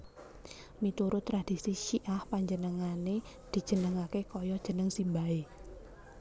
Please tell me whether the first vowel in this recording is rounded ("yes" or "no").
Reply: no